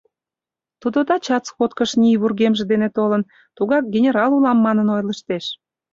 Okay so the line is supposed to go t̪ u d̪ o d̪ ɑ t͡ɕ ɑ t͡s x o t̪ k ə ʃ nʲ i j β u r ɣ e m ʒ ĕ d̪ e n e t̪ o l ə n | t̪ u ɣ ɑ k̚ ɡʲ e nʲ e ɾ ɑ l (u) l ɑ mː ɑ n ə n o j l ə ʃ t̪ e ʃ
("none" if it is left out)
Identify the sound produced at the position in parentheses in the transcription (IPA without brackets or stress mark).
u